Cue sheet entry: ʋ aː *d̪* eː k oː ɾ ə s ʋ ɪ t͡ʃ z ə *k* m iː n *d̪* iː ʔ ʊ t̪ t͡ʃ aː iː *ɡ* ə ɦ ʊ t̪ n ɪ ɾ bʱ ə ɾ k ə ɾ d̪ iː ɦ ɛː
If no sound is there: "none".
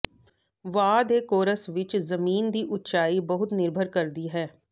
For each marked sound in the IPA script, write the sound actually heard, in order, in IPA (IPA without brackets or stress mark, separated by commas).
d̪, none, d̪, b